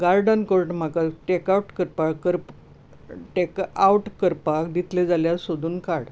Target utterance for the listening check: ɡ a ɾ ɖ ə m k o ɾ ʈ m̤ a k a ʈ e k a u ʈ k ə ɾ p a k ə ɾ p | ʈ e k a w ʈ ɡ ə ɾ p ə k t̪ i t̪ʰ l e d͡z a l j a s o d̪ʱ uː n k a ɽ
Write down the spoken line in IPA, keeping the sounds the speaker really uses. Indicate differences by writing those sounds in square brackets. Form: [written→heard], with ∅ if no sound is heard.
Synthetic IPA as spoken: ɡ a ɾ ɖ ə [m→n] k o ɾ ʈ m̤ a k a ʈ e k a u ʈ k ə ɾ p a k ə ɾ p | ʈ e k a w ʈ [ɡ→k] ə ɾ p [ə→a] k [t̪→d̪] i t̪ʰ l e d͡z a l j a s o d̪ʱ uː n k a ɽ

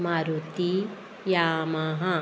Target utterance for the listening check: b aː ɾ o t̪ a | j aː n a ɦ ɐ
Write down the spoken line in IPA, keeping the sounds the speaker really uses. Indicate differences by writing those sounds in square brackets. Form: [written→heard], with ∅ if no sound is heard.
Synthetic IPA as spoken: [b→m] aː ɾ [o→u] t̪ [a→i] | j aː [n→m] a ɦ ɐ

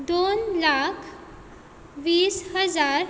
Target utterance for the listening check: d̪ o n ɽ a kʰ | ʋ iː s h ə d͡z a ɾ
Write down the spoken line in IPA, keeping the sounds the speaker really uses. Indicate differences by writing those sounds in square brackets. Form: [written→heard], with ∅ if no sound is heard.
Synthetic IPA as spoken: d̪ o n [ɽ→l] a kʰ | ʋ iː s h ə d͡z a ɾ

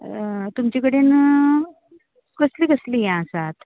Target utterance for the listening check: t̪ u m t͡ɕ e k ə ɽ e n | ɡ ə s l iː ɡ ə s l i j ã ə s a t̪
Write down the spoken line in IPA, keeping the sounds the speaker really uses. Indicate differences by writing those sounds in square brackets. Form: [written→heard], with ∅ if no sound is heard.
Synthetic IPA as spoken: t̪ u m t͡ɕ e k ə ɽ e n | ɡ ə s l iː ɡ ə s l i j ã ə s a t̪

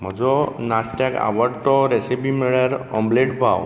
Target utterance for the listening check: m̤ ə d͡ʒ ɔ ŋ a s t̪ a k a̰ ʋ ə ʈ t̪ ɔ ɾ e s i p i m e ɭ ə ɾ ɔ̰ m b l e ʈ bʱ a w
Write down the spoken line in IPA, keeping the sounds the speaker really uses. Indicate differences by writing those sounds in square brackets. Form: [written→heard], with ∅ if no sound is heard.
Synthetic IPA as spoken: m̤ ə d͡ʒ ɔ [ŋ→n] a s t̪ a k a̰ ʋ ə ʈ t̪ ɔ ɾ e s i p i m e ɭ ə ɾ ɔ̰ m b l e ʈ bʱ a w

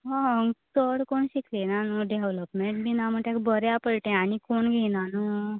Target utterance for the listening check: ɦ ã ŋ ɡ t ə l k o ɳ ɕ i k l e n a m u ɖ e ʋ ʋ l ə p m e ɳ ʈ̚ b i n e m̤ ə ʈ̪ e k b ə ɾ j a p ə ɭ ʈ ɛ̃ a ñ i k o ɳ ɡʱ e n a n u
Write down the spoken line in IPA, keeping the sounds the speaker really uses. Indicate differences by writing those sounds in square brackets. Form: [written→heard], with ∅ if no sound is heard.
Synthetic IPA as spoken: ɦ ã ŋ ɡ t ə [l→ɽ] k o ɳ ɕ i k l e n a [m→n] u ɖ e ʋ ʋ l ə p m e ɳ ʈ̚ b i n [e→a] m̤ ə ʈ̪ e k b ə ɾ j a p ə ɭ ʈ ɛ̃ a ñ i k o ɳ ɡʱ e n a n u

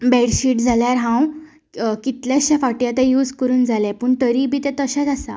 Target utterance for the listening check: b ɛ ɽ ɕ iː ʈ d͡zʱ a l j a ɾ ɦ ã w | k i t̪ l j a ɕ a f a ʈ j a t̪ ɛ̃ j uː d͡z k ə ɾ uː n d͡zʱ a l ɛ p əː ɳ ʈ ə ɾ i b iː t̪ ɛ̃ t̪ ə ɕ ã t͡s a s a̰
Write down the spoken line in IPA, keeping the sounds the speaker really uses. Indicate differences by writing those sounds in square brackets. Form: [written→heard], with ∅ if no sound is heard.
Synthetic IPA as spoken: b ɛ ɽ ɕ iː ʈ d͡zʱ a l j a ɾ ɦ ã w | k i t̪ l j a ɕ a f a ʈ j a t̪ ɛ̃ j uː d͡z k ə ɾ uː n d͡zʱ a l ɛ p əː ɳ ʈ ə ɾ i b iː t̪ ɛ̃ t̪ ə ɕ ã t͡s a s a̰

